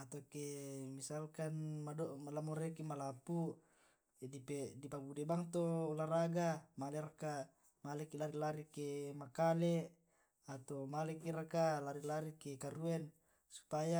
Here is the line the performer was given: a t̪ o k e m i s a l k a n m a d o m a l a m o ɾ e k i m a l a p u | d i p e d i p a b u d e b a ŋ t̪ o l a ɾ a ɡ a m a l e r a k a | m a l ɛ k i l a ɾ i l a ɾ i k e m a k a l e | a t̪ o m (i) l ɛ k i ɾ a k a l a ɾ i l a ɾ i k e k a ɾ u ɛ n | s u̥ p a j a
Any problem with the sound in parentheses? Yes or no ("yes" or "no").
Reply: yes